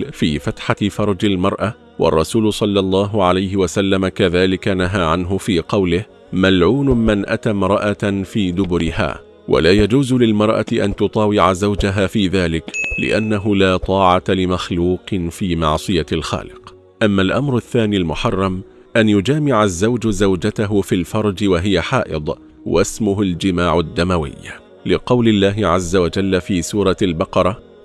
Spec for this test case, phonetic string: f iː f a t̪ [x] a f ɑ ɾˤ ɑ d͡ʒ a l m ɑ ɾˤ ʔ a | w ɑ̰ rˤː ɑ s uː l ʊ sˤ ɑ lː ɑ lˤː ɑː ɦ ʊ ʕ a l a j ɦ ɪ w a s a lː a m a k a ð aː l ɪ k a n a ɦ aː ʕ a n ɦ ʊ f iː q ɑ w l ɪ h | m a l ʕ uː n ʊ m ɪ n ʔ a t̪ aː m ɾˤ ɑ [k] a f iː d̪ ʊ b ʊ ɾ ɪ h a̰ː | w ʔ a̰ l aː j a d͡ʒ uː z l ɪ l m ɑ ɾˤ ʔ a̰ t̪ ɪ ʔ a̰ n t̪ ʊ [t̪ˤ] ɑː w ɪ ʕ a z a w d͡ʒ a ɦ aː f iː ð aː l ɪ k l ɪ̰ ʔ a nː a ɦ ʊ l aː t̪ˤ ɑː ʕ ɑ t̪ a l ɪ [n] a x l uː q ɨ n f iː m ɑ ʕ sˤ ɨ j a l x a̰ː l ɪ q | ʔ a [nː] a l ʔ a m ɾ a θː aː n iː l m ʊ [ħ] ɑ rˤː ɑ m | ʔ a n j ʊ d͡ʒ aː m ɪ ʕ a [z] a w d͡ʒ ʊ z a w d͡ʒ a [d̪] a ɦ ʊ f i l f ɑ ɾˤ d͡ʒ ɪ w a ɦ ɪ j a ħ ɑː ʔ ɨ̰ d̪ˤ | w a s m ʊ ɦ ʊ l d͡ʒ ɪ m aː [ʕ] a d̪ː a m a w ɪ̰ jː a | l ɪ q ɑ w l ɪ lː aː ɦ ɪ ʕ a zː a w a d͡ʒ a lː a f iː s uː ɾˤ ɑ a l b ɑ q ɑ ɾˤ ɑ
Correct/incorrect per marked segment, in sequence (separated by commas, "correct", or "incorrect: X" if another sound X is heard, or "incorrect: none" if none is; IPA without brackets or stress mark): incorrect: ħ, incorrect: ʔ, correct, incorrect: m, incorrect: mː, correct, incorrect: zː, incorrect: t̪, correct